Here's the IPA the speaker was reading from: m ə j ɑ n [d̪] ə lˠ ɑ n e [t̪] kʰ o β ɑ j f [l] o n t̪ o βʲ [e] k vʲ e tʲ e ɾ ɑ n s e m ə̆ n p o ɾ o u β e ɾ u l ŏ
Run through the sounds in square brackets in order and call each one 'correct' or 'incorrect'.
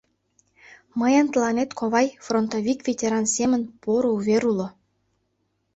incorrect: t̪, correct, incorrect: r, incorrect: i

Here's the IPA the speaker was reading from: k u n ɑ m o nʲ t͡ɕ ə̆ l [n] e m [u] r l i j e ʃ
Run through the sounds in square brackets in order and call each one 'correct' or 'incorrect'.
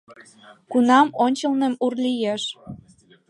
correct, correct

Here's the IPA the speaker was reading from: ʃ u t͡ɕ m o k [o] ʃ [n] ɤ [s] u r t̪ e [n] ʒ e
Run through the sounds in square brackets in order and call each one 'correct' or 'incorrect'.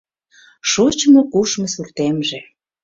incorrect: u, incorrect: m, correct, incorrect: m

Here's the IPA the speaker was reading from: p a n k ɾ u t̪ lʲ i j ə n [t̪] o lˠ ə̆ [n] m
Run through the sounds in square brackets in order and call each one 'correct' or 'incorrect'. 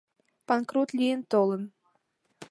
correct, incorrect: none

